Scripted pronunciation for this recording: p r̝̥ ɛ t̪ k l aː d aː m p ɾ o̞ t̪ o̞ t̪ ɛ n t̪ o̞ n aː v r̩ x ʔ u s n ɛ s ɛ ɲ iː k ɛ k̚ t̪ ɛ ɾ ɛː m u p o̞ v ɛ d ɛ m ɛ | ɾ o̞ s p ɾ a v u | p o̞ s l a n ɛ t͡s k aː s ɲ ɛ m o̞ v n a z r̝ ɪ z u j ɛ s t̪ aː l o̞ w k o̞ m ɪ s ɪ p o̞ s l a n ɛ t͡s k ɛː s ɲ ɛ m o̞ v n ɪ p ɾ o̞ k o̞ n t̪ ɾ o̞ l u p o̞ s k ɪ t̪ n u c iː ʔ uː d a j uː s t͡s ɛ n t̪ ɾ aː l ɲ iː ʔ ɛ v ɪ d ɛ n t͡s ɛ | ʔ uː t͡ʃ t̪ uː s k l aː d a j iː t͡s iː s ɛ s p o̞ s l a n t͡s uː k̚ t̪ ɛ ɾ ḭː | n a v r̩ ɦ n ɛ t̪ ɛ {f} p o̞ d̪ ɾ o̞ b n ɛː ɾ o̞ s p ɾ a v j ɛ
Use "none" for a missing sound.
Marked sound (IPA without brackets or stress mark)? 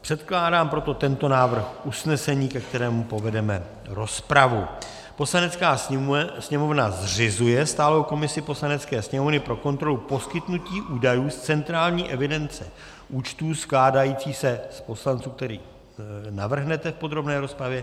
f